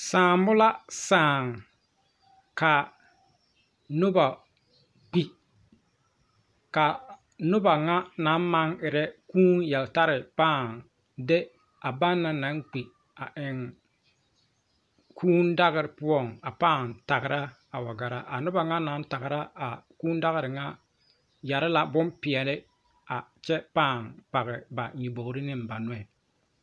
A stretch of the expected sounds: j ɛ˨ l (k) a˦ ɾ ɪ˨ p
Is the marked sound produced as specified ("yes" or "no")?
no